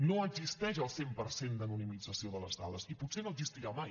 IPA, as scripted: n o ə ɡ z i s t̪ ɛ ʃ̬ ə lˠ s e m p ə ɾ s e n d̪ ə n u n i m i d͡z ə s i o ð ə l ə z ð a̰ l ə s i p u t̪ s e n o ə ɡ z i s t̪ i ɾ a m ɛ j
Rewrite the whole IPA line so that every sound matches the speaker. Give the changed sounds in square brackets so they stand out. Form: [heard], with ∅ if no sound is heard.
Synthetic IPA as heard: n o ə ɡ z i s t̪ ɛ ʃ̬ ə lˠ s e m p ə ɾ s e n d̪ ə n u n i m i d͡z ə s i o ð ə l ə z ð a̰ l ə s i p u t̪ s e n o ə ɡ z i s t̪ i ɾ a m [a] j